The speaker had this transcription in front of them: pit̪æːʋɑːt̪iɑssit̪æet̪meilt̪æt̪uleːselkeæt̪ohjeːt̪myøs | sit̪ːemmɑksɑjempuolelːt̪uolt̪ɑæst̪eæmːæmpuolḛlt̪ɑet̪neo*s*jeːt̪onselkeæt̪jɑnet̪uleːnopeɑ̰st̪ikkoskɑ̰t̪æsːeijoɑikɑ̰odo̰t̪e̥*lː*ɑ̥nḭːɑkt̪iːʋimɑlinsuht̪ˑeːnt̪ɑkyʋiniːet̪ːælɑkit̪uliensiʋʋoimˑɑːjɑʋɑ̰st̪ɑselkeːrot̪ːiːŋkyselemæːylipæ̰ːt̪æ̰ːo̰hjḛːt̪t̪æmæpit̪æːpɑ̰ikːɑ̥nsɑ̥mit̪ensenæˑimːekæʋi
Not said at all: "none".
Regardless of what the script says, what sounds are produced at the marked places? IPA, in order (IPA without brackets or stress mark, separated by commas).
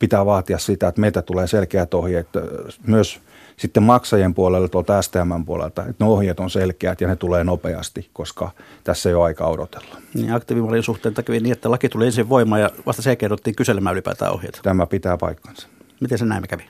h, lː